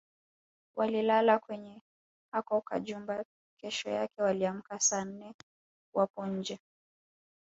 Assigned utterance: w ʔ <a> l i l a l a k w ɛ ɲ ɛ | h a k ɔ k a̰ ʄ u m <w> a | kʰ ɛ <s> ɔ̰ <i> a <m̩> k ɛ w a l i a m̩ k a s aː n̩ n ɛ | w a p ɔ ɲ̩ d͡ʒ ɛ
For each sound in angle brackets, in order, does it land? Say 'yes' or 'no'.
yes, no, no, no, no

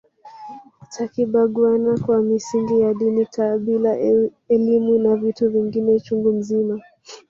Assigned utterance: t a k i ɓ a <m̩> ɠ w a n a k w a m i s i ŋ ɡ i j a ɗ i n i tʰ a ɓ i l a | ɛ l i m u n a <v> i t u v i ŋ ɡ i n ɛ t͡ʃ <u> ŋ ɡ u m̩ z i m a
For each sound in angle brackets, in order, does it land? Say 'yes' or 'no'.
no, yes, yes

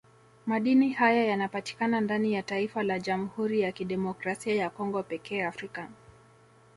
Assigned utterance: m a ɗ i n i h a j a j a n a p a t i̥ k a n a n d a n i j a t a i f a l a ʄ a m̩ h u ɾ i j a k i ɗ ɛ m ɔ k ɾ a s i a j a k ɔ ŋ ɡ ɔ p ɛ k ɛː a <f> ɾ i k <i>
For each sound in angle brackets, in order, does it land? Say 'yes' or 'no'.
yes, no

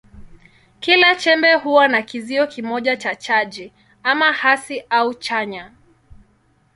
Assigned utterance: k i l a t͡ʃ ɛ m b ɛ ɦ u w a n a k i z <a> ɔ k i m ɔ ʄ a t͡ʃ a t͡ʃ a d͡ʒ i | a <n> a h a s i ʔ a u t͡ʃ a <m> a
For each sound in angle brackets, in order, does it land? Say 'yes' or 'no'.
no, no, no

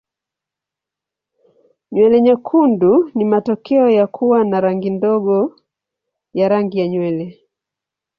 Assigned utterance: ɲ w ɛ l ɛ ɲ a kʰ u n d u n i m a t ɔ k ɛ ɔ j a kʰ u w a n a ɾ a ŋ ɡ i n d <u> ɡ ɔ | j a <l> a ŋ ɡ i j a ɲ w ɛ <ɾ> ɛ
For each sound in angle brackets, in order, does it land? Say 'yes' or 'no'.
no, no, no

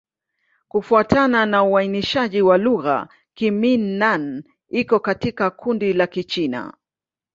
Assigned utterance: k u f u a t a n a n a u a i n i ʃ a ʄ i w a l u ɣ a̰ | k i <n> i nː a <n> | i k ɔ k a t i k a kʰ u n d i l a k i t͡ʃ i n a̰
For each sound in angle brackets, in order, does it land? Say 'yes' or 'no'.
no, yes

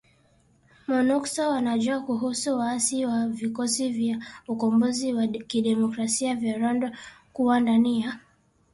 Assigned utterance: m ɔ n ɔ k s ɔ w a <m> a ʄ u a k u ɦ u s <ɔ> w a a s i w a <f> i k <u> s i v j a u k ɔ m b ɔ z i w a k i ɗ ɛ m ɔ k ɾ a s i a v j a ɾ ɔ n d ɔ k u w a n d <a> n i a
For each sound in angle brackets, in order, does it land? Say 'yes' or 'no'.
no, no, no, no, yes

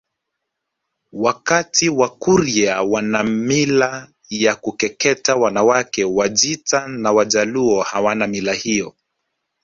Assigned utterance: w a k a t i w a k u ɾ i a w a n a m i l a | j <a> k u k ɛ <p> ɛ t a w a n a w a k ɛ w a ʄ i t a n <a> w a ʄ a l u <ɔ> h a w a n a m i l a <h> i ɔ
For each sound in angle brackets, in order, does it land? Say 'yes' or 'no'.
yes, no, yes, yes, yes

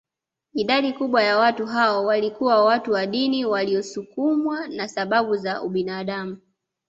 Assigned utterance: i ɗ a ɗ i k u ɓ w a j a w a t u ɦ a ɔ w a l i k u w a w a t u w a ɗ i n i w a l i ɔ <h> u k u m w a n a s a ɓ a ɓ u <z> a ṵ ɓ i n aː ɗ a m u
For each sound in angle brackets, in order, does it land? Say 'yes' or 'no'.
no, yes

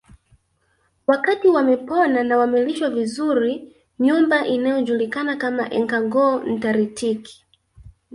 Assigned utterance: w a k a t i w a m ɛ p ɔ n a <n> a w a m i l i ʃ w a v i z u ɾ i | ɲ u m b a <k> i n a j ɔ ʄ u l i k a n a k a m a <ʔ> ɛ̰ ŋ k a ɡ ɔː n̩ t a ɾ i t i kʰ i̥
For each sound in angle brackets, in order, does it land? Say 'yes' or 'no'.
yes, no, yes

